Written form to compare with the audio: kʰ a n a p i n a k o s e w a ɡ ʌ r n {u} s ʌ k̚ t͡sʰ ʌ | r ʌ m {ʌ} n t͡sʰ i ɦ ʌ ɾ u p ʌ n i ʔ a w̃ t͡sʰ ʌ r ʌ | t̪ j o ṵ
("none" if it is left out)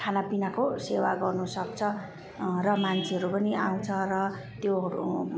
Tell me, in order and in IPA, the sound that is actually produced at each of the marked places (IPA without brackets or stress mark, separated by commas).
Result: u, a